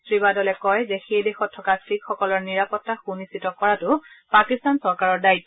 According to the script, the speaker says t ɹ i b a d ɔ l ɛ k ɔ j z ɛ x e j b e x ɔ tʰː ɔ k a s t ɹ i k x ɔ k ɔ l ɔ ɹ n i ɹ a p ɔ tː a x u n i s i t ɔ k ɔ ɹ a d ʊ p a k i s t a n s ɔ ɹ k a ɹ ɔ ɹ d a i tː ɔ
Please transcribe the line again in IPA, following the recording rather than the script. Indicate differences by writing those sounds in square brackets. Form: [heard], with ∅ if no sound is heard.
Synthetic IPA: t ɹ i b a d ɔ l ɛ k ɔ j z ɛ x e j [d] e x ɔ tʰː ɔ k a s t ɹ i k x ɔ k ɔ l ɔ ɹ n i ɹ a p ɔ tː a x u n i s i t ɔ k ɔ ɹ a [t] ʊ p a k i s t a n s ɔ ɹ k a ɹ ɔ ɹ d a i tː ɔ